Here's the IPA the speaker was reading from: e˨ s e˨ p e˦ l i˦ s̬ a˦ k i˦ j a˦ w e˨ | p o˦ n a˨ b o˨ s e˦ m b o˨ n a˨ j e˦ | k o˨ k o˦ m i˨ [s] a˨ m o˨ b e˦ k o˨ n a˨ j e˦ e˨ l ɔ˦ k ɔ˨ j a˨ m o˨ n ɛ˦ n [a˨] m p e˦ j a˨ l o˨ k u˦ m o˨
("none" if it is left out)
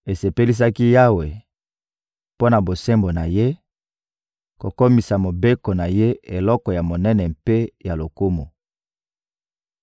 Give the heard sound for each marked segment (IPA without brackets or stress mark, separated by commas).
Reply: s, ɛ˨